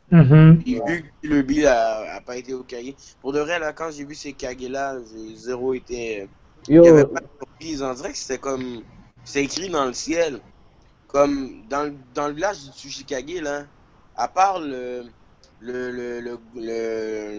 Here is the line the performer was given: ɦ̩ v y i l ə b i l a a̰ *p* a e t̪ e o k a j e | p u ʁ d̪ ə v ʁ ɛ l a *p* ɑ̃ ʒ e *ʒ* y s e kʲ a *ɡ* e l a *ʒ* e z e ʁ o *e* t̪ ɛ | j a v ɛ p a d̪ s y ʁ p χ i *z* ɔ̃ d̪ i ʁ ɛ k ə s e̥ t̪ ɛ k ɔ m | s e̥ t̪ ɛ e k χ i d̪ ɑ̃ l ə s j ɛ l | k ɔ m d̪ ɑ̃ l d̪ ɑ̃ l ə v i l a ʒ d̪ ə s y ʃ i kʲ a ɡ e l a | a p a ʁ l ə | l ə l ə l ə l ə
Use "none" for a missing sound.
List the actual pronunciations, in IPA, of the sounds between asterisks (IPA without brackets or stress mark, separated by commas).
p, k, v, ɡ, ʒ, e, z